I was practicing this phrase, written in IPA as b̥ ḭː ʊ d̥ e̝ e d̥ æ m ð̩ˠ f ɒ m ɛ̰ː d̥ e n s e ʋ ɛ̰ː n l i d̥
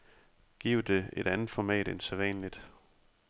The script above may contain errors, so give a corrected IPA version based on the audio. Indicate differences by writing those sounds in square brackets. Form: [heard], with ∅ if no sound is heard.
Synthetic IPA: [ɡ̥] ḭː ʊ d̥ e̝ e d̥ æ [n] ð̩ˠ f ɒ m ɛ̰ː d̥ e n s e ʋ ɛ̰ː n l i d̥